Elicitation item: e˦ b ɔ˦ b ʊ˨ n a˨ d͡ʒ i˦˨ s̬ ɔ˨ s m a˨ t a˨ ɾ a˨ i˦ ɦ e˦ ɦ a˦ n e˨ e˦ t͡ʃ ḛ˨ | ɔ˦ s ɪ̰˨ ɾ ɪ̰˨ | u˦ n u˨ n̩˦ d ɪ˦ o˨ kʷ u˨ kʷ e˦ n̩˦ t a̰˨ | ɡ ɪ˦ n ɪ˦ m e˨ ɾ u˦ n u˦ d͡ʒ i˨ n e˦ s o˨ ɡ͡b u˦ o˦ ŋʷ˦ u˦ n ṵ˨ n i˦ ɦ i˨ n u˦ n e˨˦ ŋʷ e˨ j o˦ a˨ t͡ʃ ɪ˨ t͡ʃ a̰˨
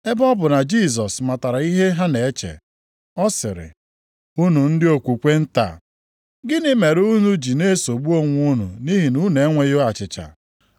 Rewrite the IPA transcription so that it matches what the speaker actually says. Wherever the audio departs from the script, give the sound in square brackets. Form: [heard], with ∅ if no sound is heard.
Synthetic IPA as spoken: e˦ b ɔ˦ b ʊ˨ n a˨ d͡ʒ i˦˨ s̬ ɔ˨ s m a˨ t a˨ ɾ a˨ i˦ ɦ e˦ ɦ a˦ n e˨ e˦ t͡ʃ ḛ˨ | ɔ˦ s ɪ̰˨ ɾ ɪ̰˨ | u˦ n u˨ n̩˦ d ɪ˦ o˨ kʷ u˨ kʷ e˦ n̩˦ t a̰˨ | ɡ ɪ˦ n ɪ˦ m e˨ ɾ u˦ n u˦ d͡ʒ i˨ n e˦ s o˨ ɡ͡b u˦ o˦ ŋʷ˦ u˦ n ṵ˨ n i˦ ɦ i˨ n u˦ n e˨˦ ŋʷ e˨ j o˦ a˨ t͡ʃ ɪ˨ t͡ʃ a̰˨